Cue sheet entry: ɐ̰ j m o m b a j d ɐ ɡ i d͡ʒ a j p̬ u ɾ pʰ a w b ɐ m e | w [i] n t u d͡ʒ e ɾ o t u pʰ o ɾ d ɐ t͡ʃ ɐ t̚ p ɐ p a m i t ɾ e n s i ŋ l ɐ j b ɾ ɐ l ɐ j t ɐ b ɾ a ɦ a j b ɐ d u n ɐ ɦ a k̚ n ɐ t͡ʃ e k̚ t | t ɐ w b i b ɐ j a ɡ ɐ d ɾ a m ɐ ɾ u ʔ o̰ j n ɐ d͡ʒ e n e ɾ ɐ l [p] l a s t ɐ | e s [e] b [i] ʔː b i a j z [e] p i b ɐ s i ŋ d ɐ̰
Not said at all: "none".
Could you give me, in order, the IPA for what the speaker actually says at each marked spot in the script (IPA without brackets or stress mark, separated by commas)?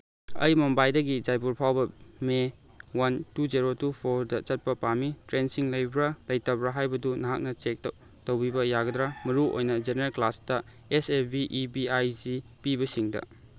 a, k, e, i, i